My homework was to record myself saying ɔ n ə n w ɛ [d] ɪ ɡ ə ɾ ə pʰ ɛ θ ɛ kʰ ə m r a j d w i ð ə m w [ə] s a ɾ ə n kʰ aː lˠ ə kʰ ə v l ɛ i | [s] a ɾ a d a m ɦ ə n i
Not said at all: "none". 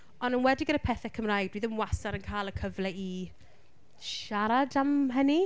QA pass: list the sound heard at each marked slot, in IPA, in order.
d, a, ʃ

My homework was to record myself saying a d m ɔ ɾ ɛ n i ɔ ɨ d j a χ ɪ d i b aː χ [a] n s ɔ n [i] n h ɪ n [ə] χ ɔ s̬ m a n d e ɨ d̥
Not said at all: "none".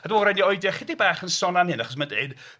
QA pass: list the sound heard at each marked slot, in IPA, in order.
ə, a, a

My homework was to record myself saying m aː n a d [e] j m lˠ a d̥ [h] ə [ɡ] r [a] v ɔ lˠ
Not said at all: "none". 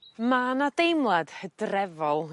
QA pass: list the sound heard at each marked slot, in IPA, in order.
e, h, d, ɛ

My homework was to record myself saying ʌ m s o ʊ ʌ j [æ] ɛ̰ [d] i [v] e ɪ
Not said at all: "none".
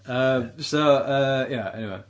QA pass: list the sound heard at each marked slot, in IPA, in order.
æ, n, w

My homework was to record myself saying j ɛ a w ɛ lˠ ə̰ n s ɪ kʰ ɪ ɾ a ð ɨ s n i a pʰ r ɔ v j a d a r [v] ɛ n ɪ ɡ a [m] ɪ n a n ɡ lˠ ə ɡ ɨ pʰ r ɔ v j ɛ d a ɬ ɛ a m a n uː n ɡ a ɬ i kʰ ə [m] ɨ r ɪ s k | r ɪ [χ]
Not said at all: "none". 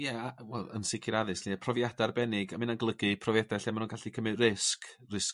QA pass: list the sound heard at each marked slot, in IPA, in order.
b, m, m, s

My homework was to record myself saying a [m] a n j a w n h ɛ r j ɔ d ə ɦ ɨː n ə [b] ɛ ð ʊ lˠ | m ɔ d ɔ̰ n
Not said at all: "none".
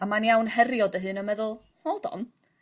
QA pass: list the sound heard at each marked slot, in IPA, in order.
m, m

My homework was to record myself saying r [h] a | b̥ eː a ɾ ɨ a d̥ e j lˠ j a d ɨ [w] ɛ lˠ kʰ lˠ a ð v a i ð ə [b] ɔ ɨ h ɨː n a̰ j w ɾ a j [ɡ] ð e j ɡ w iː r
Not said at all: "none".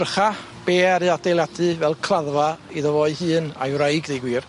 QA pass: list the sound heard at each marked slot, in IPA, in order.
χ, v, v, ɡ

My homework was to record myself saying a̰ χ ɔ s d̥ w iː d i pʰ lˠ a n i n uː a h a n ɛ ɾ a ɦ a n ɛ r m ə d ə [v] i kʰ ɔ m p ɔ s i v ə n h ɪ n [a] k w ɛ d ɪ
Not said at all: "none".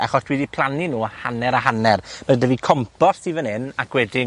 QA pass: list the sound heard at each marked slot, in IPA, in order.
v, a

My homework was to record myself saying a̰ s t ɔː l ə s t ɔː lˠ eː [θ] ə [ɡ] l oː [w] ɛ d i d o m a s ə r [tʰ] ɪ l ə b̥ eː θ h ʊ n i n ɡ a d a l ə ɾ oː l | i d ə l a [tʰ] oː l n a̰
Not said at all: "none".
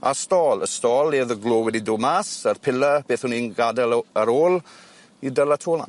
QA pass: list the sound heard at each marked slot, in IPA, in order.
ð, ɡ, w, pʰ, tʰ

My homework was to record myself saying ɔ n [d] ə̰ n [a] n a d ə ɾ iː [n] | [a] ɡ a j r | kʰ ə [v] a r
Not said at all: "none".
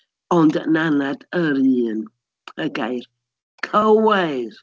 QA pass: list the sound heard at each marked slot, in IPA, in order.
d, a, n, ə, w

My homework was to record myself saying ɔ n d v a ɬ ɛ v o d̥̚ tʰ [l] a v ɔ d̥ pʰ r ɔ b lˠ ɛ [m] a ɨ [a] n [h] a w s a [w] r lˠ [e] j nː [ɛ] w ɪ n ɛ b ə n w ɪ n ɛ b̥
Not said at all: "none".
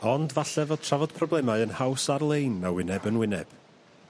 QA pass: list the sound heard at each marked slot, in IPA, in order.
r, m, ə, h, none, e, a

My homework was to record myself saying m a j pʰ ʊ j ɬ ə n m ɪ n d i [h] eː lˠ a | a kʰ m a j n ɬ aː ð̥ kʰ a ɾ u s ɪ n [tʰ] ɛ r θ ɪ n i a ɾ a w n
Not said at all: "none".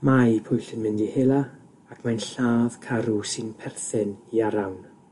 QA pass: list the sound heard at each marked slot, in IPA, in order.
h, pʰ

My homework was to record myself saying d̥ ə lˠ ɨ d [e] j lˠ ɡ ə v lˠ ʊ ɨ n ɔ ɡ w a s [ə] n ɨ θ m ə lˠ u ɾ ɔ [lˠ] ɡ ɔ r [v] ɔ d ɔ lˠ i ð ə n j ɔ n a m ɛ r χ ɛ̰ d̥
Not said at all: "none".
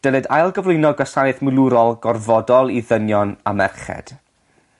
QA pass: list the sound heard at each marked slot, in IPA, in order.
a, a, lˠ, v

